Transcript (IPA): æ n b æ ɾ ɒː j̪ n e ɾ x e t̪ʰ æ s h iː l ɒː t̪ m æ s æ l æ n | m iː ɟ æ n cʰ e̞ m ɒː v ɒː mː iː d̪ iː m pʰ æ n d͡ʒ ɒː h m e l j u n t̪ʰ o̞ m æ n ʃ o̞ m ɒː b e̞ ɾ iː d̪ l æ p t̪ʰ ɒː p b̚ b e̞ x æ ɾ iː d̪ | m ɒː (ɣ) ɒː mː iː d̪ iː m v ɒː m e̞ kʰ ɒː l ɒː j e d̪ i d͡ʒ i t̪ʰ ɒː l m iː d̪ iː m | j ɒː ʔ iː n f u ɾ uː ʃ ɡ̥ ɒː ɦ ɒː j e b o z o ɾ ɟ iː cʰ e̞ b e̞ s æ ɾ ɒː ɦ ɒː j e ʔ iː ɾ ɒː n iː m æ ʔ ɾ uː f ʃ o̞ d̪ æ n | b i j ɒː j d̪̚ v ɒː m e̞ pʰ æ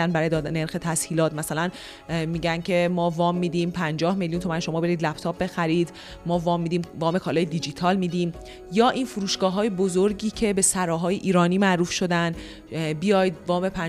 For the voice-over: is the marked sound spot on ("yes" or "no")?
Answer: no